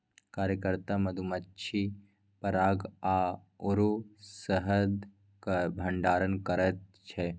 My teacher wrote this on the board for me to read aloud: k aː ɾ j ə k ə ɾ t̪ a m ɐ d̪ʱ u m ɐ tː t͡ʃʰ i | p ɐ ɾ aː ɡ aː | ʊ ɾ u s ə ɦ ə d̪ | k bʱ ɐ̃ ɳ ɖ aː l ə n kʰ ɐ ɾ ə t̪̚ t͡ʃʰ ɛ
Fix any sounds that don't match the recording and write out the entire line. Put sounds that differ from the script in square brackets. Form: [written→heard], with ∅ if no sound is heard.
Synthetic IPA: k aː ɾ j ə k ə ɾ t̪ a m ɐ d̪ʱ u m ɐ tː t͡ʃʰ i | p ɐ ɾ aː ɡ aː | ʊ ɾ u s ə ɦ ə d̪ | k bʱ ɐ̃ ɳ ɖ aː [l→ɾ] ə n [kʰ→k] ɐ ɾ ə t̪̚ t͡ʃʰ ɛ